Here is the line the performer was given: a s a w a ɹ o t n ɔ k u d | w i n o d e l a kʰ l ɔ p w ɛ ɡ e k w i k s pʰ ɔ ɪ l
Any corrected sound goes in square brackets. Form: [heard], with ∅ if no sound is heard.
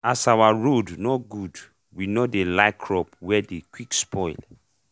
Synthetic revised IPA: a s a w a ɹ o [d] n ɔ [ɡ] u d | w i n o d e l a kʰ [ɹ] ɔ p w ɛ [d] e k w i k s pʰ ɔ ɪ l